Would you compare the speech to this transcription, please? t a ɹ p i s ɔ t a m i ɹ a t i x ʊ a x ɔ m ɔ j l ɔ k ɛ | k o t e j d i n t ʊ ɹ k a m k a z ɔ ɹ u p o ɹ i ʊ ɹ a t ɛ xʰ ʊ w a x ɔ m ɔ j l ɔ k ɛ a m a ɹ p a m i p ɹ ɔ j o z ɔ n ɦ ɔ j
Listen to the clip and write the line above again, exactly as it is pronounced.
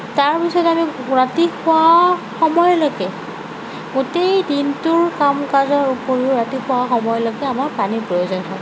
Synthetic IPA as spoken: t a ɹ p i s ɔ t a m i ɹ a t i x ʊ a x ɔ m ɔ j l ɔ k ɛ | ɡ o t e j d i n t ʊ ɹ k a m k a z ɔ ɹ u p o ɹ i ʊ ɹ a t i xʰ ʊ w a x ɔ m ɔ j l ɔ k ɛ a m a ɹ p a n i p ɹ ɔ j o z ɔ n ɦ ɔ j